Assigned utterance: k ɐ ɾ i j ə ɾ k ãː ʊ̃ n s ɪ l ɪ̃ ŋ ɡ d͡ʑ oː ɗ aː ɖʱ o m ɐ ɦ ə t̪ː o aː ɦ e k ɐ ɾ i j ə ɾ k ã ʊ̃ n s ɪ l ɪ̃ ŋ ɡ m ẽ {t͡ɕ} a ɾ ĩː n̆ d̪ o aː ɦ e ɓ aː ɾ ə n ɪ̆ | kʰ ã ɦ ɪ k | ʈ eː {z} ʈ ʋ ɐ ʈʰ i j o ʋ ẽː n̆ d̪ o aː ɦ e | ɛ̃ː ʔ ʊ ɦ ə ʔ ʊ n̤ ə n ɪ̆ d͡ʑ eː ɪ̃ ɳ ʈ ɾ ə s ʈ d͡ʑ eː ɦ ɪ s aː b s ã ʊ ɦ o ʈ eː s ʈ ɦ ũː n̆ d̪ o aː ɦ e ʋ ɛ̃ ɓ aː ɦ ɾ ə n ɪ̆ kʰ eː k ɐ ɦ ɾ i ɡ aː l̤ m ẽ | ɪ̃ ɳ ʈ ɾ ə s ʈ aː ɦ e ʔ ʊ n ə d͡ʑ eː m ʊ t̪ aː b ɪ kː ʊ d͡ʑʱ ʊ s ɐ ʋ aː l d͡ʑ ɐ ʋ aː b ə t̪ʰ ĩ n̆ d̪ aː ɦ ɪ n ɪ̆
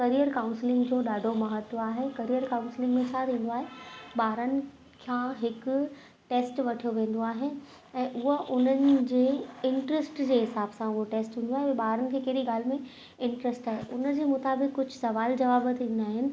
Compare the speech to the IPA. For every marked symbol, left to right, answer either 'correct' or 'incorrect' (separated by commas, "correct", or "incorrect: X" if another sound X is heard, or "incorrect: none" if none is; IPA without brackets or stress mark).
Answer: incorrect: t͡ɕʰ, incorrect: s